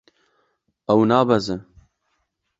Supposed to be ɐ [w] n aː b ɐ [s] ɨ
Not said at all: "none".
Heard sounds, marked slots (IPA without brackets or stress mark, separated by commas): w, z